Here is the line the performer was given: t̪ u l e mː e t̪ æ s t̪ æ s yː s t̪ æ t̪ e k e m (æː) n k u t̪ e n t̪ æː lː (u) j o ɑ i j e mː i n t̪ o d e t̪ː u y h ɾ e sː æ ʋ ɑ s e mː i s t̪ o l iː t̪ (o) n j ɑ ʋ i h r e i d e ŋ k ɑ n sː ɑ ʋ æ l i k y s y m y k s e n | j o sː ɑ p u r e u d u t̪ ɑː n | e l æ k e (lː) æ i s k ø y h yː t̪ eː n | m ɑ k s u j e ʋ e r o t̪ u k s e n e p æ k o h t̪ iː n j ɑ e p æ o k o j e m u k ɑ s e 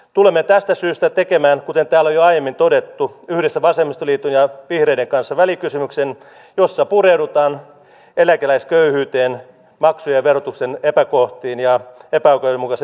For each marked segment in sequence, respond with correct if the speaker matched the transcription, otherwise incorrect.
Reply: correct, incorrect: o, incorrect: u, incorrect: l

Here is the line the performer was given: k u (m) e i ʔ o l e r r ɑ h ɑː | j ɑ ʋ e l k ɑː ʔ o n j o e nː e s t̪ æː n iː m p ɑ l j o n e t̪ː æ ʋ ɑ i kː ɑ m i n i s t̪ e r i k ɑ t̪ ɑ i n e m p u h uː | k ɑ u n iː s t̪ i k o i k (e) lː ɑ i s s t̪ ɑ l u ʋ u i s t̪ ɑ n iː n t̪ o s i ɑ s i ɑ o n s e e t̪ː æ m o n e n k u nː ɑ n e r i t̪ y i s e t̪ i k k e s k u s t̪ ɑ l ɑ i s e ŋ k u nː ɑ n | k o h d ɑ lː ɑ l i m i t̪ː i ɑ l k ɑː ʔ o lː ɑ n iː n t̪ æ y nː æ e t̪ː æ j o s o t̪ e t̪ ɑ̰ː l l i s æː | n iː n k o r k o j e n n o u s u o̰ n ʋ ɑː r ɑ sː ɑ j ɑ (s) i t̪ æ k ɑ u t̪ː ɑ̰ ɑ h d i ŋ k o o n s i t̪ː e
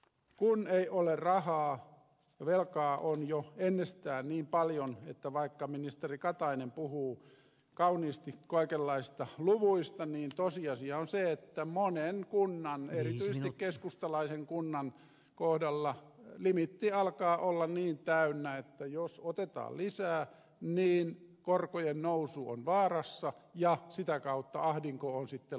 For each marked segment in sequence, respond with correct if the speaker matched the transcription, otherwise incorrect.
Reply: incorrect: n, correct, correct

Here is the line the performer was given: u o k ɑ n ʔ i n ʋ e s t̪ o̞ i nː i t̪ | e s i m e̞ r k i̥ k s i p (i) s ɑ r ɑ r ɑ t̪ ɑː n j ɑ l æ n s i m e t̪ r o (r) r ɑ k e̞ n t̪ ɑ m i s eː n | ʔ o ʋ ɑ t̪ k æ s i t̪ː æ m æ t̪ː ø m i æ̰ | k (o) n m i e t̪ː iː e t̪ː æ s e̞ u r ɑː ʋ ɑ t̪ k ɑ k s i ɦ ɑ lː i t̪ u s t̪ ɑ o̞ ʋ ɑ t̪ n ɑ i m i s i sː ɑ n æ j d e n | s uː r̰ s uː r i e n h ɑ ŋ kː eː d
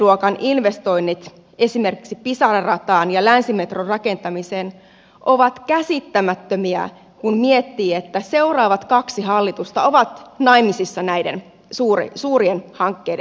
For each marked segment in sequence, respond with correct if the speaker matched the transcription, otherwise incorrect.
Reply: correct, correct, incorrect: u

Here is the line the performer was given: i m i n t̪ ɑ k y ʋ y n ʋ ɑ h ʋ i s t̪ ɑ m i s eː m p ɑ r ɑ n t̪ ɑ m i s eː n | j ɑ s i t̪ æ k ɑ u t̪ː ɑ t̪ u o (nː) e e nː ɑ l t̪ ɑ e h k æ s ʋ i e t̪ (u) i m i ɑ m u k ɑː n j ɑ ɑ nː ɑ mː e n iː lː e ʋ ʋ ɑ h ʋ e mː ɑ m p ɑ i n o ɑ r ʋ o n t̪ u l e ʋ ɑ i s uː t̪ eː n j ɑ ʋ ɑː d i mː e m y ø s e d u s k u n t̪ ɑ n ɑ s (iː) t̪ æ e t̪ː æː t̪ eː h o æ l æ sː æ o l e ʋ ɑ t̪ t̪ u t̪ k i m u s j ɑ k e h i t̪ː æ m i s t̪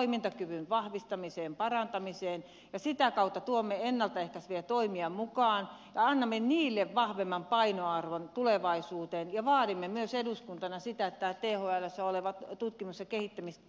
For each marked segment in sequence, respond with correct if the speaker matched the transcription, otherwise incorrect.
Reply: incorrect: mː, incorrect: o, incorrect: i

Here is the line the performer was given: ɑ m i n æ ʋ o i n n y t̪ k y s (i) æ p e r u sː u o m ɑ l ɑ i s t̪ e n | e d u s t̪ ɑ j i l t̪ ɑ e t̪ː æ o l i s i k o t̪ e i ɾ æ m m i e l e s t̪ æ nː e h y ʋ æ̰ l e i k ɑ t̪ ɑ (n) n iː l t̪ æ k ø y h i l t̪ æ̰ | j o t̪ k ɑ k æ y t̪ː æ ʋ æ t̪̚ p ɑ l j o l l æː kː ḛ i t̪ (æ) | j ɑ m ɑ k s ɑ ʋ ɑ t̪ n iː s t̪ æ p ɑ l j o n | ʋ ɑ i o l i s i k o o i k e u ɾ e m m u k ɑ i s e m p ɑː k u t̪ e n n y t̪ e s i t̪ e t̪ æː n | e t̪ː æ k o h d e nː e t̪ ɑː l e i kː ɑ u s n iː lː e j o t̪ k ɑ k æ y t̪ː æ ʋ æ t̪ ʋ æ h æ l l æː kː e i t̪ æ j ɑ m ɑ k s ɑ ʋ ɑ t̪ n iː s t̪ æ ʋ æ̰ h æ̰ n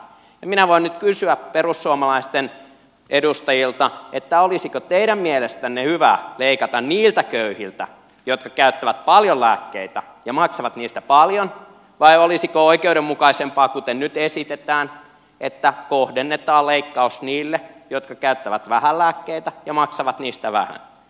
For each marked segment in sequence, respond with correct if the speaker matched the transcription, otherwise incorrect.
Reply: incorrect: y, correct, correct

